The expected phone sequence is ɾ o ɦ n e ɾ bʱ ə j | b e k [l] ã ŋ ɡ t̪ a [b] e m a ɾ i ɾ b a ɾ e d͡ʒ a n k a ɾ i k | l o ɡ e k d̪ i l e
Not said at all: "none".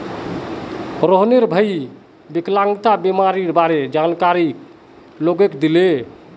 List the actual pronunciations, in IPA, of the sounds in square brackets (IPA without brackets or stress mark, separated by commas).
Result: l, b